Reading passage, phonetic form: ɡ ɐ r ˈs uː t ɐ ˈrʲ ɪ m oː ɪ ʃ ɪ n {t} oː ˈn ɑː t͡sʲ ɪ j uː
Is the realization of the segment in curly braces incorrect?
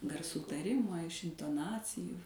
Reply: no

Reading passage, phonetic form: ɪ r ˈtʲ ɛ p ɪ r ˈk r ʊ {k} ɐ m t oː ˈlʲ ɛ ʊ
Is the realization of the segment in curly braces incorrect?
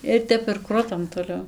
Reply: yes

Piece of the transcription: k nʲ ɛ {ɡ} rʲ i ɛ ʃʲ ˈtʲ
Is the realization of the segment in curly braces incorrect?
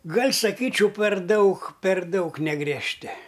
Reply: no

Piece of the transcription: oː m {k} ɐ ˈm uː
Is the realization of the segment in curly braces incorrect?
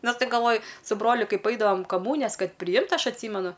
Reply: no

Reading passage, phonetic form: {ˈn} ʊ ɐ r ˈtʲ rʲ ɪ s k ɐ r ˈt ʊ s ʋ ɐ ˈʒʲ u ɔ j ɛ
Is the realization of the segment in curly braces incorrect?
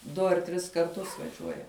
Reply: yes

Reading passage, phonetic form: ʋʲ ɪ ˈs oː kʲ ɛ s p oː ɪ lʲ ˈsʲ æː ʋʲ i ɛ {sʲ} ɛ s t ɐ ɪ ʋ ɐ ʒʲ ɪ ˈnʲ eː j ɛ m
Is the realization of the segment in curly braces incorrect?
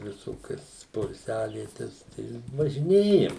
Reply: yes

